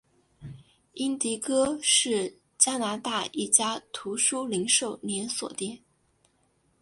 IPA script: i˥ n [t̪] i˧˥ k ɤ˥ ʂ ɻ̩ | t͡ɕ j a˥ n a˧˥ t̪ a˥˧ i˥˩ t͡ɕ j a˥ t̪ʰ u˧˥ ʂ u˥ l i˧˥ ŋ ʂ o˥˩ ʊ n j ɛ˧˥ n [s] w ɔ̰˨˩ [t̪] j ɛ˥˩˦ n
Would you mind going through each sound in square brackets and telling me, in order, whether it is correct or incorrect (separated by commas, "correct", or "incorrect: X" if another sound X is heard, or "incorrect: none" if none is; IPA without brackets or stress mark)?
correct, correct, correct